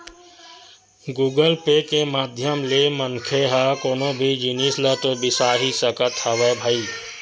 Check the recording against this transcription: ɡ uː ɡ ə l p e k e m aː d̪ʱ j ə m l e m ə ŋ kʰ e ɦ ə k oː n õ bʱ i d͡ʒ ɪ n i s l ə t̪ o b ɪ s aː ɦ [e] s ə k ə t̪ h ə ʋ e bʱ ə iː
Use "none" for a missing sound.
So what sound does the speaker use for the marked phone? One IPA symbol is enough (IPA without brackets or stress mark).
i